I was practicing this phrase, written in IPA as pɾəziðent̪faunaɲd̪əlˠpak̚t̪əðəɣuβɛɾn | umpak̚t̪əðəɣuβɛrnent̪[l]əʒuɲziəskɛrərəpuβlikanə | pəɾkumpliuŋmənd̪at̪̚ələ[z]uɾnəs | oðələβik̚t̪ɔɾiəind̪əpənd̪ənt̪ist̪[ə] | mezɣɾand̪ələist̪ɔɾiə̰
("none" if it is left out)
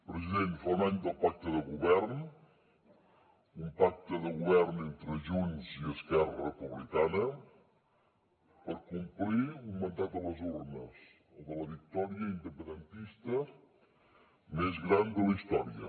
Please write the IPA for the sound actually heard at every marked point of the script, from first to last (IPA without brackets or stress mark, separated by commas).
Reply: ɾ, z, ə